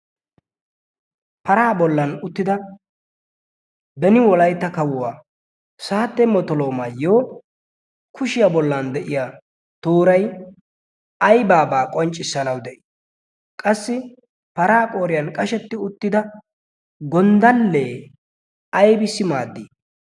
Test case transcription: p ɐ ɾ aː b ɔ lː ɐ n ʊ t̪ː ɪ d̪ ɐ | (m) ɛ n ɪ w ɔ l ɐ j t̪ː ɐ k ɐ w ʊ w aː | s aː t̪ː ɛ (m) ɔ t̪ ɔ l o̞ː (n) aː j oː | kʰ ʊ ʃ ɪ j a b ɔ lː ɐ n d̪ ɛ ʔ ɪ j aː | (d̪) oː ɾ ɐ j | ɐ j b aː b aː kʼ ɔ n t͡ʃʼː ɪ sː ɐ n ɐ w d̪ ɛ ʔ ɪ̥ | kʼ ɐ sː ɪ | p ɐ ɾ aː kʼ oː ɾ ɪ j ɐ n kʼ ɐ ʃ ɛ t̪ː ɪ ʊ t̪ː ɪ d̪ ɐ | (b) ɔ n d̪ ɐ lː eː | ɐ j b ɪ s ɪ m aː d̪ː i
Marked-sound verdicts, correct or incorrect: incorrect: b, correct, incorrect: m, incorrect: t̪, incorrect: ɡ

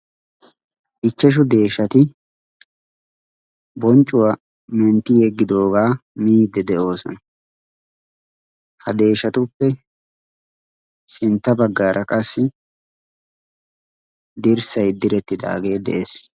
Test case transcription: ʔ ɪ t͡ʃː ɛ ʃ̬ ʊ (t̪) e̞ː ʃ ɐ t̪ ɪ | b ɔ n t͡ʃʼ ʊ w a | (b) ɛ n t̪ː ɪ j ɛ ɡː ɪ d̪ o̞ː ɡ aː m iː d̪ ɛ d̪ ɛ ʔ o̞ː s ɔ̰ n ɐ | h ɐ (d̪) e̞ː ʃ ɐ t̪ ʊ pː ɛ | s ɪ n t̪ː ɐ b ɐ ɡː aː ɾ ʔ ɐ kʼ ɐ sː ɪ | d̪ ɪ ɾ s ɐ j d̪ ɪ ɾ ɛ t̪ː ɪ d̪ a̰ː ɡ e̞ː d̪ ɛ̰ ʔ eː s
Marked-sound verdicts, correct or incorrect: incorrect: d̪, incorrect: m, correct

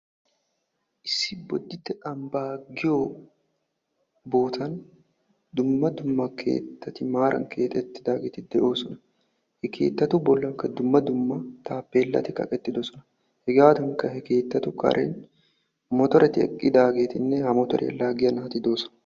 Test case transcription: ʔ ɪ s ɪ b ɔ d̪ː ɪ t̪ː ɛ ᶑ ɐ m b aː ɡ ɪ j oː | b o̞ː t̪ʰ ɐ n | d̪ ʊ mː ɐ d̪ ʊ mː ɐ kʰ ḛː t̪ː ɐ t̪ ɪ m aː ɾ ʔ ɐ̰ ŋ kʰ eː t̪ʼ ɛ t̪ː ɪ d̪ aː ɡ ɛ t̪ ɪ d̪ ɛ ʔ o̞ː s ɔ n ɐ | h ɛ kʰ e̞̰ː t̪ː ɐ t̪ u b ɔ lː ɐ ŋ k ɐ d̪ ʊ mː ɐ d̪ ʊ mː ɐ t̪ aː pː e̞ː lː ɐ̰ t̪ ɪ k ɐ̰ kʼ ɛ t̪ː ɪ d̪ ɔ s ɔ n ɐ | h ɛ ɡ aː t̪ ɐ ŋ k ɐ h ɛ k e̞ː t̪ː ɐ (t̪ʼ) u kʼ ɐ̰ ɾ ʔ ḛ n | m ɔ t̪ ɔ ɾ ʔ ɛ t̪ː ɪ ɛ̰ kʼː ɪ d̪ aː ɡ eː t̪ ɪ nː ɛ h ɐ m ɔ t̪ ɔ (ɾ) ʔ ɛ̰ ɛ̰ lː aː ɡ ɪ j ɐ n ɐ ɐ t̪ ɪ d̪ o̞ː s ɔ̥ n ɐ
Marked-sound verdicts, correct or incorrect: incorrect: t̪, correct

